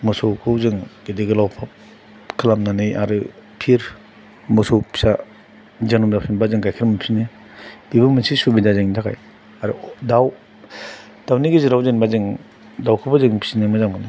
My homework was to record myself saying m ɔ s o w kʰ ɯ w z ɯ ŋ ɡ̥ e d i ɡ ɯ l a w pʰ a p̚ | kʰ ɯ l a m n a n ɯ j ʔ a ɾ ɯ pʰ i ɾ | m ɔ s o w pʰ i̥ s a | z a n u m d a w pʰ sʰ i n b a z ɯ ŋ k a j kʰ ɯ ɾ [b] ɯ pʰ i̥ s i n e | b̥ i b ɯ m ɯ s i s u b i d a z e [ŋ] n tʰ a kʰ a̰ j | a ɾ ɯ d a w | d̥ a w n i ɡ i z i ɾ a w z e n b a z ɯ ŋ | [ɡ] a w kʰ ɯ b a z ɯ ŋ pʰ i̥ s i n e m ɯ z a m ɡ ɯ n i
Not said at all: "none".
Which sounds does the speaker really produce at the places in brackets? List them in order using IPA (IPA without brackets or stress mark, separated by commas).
m, ŋ, d